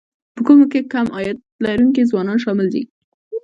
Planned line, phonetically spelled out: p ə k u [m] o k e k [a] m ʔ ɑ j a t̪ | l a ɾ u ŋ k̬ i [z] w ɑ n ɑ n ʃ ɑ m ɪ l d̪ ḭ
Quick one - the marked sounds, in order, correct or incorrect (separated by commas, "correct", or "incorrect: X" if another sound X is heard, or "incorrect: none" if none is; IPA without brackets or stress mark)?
correct, correct, correct